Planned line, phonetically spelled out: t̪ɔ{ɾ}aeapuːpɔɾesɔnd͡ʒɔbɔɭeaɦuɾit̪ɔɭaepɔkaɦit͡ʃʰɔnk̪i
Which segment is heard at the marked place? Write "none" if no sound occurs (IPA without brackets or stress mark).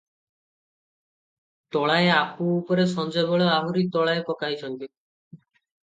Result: ɭ